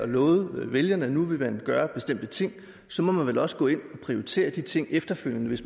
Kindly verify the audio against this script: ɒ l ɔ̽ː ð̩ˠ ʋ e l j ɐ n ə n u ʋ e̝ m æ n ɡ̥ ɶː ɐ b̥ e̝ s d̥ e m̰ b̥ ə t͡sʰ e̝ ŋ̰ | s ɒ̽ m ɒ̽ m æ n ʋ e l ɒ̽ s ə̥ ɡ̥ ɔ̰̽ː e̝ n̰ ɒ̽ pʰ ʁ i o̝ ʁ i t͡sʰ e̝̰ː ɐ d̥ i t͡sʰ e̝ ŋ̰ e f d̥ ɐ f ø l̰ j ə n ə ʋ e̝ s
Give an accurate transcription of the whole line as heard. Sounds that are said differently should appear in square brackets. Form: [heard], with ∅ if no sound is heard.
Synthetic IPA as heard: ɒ l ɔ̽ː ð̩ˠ ʋ e l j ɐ n ə n u ʋ e̝ m æ n ɡ̥ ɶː ɐ b̥ e̝ s d̥ e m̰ [d̥] ə t͡sʰ e̝ ŋ̰ | s ɒ̽ m ɒ̽ m æ n ʋ e l ɒ̽ s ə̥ ɡ̥ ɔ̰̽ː e̝ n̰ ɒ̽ pʰ ʁ i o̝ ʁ i t͡sʰ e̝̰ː ɐ d̥ i t͡sʰ e̝ ŋ̰ e f d̥ ɐ f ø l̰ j ə n ə ʋ e̝ s

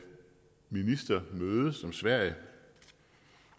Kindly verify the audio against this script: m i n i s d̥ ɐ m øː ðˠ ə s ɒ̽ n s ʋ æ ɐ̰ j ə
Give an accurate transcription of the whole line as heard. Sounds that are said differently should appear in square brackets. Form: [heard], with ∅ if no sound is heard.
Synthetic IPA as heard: m i n i s d̥ ɐ m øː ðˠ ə s ɒ̽ [m] s ʋ æ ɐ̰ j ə

